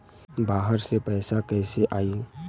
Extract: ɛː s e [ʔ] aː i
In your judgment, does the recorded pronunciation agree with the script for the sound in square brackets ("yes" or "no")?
yes